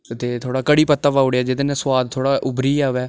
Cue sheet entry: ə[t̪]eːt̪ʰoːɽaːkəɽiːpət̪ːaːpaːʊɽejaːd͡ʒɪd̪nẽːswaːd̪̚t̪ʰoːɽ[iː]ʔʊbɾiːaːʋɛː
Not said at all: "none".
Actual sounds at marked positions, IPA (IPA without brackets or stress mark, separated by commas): t̪, aː